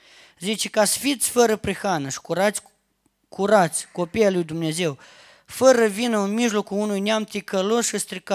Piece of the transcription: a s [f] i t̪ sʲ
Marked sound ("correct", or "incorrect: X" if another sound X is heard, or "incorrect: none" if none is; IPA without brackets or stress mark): correct